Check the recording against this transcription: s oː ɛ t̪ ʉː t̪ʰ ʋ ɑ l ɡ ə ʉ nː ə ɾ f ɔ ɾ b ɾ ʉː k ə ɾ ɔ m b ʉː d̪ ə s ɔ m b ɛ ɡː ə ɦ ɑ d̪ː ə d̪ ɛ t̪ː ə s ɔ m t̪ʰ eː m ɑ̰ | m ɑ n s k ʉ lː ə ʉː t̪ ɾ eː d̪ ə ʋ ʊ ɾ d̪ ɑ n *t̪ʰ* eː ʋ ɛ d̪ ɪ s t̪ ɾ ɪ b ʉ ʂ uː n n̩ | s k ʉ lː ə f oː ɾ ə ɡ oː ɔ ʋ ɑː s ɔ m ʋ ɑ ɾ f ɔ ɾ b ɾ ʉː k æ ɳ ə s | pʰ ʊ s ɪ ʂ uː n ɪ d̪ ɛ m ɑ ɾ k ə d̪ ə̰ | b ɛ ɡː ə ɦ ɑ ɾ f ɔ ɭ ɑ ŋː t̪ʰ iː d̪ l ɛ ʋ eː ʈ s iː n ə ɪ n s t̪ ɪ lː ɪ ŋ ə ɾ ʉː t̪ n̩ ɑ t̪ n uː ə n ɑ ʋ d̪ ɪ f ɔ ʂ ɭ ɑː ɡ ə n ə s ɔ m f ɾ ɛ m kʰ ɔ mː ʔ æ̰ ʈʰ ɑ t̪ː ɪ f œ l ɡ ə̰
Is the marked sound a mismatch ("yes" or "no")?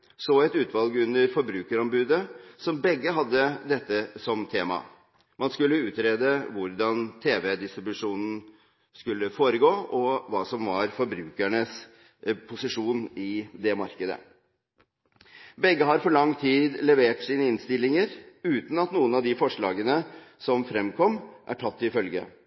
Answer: no